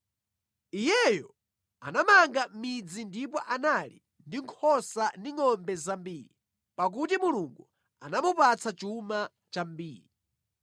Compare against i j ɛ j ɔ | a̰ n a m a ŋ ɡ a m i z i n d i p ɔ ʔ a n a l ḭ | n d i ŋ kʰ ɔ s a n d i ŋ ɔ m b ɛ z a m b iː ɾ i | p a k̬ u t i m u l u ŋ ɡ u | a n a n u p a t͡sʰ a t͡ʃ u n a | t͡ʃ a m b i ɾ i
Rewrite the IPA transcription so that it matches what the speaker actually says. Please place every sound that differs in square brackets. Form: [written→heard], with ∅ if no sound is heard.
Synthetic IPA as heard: i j ɛ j ɔ | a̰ n a m a ŋ ɡ a m i [z→d͡z] i n d i p ɔ ʔ a n a l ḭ | n d i ŋ kʰ ɔ s a n d i ŋ ɔ m b ɛ z a m b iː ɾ i | p a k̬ u t i m u l u ŋ ɡ u | a n a [n→m] u p a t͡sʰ a t͡ʃ u [n→m] a | t͡ʃ a m b [i→iː] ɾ i